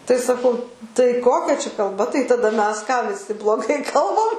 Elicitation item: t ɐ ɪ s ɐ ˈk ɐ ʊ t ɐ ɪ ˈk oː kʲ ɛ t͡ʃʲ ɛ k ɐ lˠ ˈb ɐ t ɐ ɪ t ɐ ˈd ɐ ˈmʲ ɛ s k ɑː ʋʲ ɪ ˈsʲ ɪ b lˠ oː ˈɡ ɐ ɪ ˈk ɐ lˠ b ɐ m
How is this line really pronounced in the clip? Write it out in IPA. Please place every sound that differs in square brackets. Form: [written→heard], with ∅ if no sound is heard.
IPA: t ɐ ɪ s ɐ ˈk ɐ ʊ t ɐ ɪ ˈk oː kʲ ɛ t͡ʃʲ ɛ k ɐ lˠ ˈb ɐ t ɐ ɪ t ɐ ˈd ɐ ˈmʲ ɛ s k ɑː ʋʲ ɪ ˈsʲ ɪ b lˠ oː ˈɡ ɐ ɪ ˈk ɐ lˠ b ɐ m